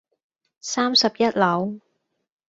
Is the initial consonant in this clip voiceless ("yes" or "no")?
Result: yes